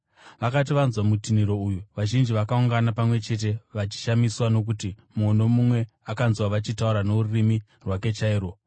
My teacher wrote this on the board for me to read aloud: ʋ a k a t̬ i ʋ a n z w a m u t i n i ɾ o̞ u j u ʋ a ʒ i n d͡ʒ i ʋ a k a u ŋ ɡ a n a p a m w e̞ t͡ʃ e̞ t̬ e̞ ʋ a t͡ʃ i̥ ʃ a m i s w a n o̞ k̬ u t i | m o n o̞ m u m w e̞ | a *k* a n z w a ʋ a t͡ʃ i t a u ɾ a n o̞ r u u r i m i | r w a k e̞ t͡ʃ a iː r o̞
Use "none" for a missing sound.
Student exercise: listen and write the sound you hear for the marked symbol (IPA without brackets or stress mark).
k